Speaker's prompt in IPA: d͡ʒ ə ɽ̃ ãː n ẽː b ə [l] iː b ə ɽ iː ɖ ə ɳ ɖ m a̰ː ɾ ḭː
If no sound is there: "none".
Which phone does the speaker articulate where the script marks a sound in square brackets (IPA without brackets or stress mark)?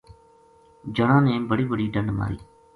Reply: ɽ